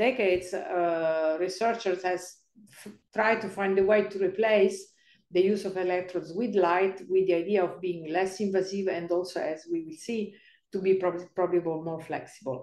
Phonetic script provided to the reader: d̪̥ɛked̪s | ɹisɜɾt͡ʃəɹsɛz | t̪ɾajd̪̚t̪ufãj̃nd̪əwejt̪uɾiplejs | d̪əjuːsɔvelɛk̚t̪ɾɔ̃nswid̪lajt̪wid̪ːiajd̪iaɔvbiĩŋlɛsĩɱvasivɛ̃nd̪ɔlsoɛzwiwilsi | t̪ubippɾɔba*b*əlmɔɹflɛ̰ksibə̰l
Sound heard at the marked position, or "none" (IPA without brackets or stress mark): b